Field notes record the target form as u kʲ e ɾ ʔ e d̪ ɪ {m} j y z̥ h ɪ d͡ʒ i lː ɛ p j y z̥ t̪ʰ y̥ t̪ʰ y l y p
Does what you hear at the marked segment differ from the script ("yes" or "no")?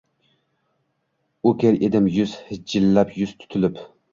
no